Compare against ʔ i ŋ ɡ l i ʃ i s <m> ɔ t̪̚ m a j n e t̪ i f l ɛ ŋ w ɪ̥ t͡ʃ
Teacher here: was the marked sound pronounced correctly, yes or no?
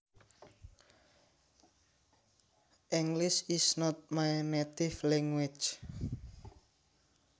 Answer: no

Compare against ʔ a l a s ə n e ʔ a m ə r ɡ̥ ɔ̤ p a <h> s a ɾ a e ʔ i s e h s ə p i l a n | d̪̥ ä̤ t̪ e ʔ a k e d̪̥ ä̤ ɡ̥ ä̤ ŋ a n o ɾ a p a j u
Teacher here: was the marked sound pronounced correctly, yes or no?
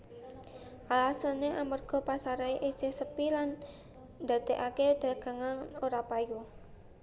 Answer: no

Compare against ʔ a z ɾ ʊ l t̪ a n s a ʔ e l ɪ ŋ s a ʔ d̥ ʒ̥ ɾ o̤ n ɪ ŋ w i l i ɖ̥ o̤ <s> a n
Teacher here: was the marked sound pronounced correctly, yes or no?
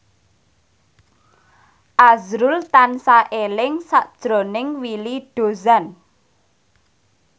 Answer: no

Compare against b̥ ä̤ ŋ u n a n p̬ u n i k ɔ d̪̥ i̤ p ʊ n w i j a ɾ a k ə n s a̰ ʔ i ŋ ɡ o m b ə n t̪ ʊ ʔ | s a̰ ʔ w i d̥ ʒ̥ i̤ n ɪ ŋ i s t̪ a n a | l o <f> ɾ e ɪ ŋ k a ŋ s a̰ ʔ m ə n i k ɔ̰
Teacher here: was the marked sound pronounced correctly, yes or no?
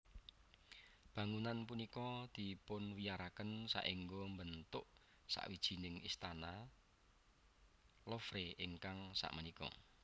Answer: yes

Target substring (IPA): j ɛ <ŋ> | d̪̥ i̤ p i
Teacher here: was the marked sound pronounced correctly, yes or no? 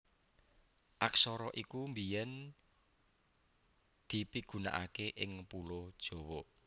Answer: no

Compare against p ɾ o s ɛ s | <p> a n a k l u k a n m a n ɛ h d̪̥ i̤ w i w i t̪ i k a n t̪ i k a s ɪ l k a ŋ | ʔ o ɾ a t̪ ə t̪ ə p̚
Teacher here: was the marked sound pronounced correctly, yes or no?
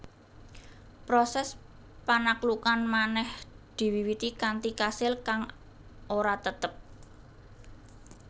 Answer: yes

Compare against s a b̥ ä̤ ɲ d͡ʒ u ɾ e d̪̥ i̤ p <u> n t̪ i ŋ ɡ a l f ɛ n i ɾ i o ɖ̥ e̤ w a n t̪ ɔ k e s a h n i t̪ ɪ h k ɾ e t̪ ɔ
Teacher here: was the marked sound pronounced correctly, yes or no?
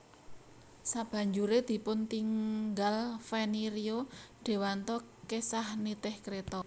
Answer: no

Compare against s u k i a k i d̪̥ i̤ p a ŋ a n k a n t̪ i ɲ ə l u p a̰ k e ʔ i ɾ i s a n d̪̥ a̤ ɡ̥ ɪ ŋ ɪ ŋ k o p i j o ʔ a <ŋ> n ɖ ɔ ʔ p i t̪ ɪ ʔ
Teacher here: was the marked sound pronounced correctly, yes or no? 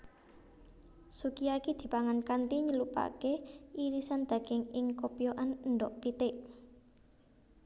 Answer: no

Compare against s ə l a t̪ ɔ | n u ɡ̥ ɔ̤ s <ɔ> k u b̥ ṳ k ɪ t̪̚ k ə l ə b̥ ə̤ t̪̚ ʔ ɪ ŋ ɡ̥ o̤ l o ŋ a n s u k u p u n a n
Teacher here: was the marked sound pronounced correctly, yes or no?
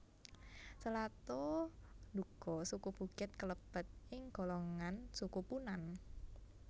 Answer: no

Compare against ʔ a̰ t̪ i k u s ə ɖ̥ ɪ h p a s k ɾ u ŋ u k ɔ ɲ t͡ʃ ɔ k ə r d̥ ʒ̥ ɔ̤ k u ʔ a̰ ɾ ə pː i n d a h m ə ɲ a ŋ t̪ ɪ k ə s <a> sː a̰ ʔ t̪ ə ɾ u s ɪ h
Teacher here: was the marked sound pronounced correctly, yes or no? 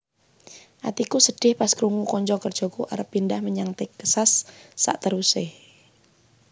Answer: yes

